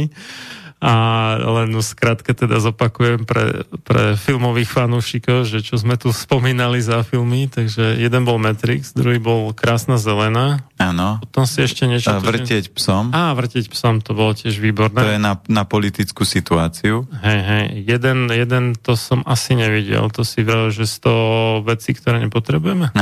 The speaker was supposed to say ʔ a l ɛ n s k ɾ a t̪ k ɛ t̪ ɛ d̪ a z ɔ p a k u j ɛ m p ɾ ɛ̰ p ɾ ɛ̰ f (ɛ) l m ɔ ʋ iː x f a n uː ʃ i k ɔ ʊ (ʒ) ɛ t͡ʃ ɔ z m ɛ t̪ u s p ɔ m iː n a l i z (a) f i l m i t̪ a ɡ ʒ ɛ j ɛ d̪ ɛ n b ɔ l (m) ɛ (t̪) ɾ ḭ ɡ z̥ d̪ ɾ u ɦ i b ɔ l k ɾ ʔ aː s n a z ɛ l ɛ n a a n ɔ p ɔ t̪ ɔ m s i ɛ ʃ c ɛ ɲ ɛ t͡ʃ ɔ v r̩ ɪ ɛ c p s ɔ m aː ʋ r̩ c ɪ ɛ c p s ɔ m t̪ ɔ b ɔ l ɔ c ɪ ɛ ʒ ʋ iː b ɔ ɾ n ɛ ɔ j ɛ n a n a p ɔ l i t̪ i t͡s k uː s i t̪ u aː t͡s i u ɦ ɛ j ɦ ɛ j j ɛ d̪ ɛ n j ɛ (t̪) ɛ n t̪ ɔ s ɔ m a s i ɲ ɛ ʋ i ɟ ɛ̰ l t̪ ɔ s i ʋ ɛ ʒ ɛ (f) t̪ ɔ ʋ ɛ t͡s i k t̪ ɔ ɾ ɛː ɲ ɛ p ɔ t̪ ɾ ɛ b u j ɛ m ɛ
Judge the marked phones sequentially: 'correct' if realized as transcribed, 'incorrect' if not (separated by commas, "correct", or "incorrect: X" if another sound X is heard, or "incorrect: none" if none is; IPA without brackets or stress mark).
incorrect: i, correct, correct, correct, correct, incorrect: d̪, incorrect: s